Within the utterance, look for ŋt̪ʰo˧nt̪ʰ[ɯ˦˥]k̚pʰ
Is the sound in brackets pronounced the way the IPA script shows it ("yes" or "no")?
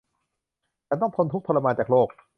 no